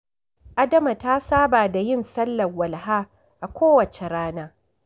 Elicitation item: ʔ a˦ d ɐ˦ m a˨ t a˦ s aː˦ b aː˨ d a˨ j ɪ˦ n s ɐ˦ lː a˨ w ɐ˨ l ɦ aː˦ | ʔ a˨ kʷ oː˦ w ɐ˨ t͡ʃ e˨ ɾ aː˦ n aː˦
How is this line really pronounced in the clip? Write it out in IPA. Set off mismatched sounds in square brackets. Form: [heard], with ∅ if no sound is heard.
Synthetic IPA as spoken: ʔ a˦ d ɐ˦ m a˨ t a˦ s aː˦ b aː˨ d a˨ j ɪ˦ n s ɐ˦ lː [ɐ˨] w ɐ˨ l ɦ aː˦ | ʔ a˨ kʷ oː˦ w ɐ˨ t͡ʃ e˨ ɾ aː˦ n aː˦

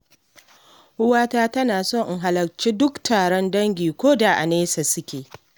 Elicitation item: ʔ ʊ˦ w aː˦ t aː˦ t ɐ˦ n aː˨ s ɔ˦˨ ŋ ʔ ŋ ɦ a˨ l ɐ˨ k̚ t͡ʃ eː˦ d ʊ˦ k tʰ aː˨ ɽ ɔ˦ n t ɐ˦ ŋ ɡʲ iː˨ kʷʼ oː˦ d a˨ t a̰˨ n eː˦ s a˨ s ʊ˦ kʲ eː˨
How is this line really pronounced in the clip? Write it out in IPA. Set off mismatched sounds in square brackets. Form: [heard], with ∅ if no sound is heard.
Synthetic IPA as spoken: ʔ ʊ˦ w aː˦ t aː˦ t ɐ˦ n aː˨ s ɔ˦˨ ŋ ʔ ŋ ɦ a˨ l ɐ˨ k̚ t͡ʃ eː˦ d ʊ˦ k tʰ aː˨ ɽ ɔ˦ n [d] ɐ˦ ŋ ɡʲ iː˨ [kʷ] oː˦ d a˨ [ʔ] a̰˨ n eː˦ s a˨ s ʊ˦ kʲ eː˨

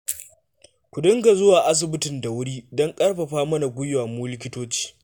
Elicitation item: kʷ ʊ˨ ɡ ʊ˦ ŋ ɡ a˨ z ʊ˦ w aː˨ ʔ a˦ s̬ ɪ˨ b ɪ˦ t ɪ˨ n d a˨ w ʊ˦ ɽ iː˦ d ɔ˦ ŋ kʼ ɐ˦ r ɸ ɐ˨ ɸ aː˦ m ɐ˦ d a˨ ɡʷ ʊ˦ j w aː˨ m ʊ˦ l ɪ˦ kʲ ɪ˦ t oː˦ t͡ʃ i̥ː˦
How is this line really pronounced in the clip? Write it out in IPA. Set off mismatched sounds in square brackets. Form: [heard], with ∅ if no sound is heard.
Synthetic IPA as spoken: kʷ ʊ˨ [d] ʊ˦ ŋ ɡ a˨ z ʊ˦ w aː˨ ʔ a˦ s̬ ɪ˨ b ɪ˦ t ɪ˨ n d a˨ w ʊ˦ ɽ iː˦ d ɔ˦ ŋ kʼ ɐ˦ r ɸ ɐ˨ ɸ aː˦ m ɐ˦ [n] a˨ ɡʷ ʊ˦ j w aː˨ m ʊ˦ l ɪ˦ kʲ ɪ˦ t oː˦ t͡ʃ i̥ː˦

